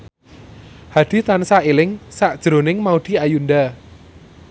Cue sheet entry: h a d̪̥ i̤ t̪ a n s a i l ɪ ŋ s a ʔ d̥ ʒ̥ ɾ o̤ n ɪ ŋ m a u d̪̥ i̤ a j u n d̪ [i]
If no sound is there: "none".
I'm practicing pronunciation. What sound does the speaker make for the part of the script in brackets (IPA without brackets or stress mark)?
a